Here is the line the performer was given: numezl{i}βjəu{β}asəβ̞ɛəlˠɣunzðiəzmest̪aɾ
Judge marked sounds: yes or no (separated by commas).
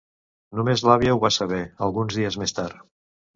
no, yes